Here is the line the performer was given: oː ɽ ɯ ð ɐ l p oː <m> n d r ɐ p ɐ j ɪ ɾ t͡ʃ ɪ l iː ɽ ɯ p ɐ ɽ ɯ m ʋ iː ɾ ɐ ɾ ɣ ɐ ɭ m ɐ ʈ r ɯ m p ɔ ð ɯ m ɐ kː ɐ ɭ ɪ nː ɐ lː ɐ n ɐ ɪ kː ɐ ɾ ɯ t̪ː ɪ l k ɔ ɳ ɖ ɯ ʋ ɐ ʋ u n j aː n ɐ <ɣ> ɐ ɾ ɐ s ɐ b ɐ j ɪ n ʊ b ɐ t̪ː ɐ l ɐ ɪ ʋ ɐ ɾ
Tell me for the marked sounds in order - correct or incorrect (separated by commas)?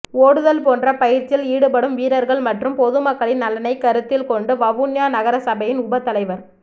incorrect, correct